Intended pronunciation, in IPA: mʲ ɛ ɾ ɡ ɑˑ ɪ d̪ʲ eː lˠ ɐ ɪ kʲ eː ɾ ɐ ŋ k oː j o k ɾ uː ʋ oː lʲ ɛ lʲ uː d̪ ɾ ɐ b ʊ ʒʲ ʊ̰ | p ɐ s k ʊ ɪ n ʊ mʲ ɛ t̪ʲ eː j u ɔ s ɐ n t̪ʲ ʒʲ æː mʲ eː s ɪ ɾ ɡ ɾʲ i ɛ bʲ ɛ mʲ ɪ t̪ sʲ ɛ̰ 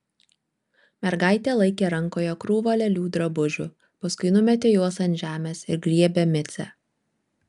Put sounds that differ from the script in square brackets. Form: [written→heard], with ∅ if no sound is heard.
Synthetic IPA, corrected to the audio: mʲ ɛ ɾ ɡ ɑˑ ɪ [d̪ʲ→t̪ʲ] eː lˠ ɐ ɪ kʲ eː ɾ ɐ ŋ k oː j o k ɾ uː ʋ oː lʲ ɛ lʲ uː d̪ ɾ ɐ b ʊ ʒʲ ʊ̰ | p ɐ s k ʊ ɪ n ʊ mʲ ɛ t̪ʲ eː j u ɔ s ɐ n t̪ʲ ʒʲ æː mʲ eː s ɪ ɾ ɡ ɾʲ i ɛ bʲ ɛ mʲ ɪ t̪ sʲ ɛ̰